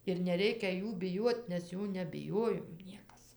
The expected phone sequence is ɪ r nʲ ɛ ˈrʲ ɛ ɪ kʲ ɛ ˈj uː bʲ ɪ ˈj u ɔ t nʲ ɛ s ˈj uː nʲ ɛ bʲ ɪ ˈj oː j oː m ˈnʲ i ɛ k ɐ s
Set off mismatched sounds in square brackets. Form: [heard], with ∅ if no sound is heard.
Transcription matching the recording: ɪ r nʲ ɛ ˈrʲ ɛ ɪ kʲ ɛ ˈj uː bʲ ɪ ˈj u ɔ t nʲ ɛ s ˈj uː nʲ ɛ bʲ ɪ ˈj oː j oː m ˈnʲ i ɛ k ɐ s